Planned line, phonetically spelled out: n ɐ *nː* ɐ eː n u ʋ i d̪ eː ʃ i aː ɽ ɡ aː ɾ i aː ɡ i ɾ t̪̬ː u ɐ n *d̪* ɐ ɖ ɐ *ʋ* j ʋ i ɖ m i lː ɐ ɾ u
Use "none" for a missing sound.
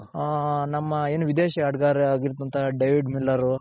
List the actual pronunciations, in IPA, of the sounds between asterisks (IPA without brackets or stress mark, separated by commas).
mː, t̪, none